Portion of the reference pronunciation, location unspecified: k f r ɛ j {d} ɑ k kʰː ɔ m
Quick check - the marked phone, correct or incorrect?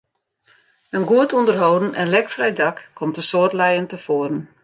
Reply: correct